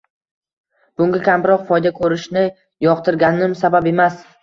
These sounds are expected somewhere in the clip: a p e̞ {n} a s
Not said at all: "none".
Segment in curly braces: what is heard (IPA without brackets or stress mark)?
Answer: m